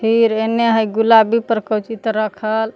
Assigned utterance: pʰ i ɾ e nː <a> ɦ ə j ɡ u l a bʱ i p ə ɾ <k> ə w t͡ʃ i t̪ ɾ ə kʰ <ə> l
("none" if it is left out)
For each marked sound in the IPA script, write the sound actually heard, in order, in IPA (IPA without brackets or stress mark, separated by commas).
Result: e, k, ə